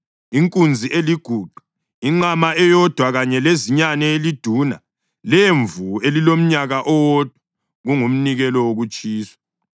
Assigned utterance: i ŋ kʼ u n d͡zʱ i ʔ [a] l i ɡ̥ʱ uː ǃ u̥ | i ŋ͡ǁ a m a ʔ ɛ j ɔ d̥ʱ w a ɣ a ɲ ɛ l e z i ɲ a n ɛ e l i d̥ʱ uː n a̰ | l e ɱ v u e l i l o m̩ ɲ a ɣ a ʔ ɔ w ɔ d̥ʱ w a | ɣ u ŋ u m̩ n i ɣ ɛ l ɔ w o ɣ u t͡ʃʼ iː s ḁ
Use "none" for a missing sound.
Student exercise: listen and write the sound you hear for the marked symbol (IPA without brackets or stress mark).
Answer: e